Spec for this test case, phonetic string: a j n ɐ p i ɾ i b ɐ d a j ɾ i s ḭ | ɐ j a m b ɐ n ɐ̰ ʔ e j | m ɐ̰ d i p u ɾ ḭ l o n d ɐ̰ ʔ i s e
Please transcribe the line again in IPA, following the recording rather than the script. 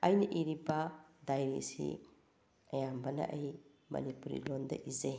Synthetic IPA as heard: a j n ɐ ʔ i ɾ i b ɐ d a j ɾ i s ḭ | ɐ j a m b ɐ n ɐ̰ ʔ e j | m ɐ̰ n i p u ɾ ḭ l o n d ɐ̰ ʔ i z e